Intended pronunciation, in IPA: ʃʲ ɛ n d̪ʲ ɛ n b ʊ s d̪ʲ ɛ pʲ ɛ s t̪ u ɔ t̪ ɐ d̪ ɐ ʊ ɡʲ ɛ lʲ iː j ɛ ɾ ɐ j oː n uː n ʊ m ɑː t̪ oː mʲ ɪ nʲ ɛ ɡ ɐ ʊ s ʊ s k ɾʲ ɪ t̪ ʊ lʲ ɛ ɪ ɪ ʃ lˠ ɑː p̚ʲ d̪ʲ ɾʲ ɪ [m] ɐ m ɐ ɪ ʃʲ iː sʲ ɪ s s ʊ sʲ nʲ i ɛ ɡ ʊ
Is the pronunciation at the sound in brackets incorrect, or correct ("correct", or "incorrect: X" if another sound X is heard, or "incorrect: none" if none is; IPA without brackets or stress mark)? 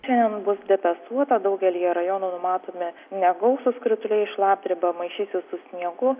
incorrect: b